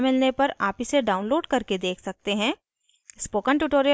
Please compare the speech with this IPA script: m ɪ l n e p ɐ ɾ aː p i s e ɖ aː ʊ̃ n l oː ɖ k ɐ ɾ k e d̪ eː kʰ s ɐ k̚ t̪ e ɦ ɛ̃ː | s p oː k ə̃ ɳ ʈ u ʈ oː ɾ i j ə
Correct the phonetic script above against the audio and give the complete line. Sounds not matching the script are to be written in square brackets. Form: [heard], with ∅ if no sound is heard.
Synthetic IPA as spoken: m ɪ l n e p ɐ ɾ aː p i s e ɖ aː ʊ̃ n l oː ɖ k ɐ ɾ k e d̪ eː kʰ s ɐ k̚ t̪ e ɦ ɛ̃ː | s p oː k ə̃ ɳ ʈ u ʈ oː ɾ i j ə